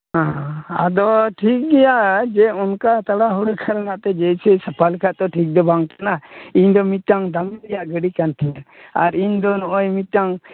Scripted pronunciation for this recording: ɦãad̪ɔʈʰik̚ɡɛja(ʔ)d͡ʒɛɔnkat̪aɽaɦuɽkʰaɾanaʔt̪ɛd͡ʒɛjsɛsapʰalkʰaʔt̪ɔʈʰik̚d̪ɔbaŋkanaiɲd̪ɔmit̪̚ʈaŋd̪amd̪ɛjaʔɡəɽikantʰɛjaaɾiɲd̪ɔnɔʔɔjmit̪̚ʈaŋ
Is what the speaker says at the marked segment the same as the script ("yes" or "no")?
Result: yes